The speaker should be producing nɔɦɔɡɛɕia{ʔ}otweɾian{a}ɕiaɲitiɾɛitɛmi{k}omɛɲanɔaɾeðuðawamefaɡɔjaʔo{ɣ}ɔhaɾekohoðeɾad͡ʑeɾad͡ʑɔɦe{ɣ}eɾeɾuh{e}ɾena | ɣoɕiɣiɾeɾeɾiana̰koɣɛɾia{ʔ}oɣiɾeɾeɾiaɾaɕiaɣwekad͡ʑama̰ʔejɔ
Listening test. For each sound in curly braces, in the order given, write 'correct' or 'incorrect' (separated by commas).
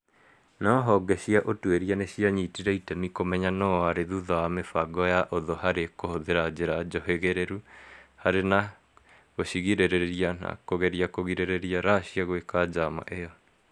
correct, incorrect, correct, incorrect, correct, incorrect, incorrect